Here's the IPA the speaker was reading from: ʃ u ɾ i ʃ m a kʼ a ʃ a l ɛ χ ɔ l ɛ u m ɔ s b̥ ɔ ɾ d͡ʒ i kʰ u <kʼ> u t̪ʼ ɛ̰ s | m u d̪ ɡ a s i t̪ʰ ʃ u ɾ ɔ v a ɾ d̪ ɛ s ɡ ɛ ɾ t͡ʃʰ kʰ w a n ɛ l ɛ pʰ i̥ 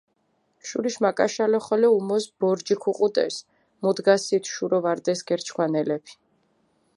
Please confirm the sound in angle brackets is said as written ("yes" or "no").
no